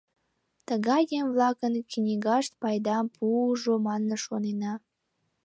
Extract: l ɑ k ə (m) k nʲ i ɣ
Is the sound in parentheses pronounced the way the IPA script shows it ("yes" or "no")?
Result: no